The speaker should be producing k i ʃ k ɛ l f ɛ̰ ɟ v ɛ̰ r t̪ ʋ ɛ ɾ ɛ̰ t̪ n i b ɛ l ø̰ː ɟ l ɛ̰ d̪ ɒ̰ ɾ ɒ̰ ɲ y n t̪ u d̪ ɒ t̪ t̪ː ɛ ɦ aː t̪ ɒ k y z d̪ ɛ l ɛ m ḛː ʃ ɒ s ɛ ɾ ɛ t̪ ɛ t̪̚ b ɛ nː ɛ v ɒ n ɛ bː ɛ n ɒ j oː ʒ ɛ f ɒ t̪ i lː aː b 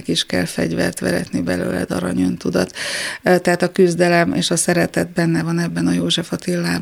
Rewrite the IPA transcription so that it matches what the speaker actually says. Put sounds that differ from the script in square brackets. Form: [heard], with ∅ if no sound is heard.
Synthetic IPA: k i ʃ k ɛ l f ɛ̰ ɟ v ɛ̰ r t̪ ʋ ɛ ɾ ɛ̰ t̪ n i b ɛ l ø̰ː [∅] l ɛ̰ d̪ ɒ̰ ɾ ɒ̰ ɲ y n t̪ u d̪ ɒ t̪ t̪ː ɛ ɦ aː t̪ ɒ k y z d̪ ɛ l ɛ m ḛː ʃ ɒ s ɛ ɾ ɛ t̪ ɛ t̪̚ b ɛ nː ɛ v ɒ n ɛ bː ɛ n ɒ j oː ʒ ɛ f ɒ t̪ i lː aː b